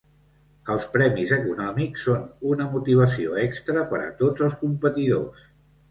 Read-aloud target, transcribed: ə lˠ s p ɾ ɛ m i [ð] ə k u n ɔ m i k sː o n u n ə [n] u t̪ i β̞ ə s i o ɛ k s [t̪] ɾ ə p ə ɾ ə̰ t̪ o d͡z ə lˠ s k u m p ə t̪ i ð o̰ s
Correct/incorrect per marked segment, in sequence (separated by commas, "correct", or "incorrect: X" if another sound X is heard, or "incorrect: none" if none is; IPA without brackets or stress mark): incorrect: z, incorrect: m, correct